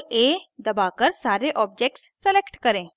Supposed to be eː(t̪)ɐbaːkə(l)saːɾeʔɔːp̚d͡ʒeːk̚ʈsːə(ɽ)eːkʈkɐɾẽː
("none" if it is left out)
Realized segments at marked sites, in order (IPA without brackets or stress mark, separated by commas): d̪, ɾ, l